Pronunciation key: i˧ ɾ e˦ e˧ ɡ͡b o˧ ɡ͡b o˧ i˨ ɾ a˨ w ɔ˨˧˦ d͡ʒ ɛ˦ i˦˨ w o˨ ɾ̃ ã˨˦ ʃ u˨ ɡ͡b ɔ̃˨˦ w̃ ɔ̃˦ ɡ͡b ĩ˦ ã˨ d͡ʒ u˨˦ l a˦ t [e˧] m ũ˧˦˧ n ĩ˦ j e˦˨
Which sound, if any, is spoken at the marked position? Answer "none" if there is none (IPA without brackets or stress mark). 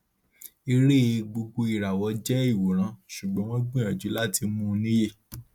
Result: i˧